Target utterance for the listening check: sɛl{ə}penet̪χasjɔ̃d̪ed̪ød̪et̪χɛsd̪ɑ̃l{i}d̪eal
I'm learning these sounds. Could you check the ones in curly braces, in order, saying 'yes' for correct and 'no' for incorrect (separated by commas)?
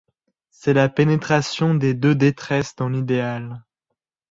no, yes